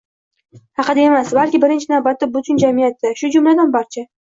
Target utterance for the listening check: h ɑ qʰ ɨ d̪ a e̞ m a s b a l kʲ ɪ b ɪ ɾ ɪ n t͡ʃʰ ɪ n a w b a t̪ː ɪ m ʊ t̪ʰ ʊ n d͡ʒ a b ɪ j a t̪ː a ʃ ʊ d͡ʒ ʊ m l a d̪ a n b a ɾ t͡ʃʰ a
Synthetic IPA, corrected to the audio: h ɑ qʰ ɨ d̪ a e̞ m a s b a l kʲ ɪ b ɪ ɾ ɪ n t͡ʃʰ ɪ n a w b a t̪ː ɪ b ʊ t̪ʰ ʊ n d͡ʒ a m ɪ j a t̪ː a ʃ ʊ d͡ʒ ʊ m l a d̪ a n b a ɾ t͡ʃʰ a